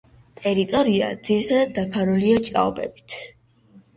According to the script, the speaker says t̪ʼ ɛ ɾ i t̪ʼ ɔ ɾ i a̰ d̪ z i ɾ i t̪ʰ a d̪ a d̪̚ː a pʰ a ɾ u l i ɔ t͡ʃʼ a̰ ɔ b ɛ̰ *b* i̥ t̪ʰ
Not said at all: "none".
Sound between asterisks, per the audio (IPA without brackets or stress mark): b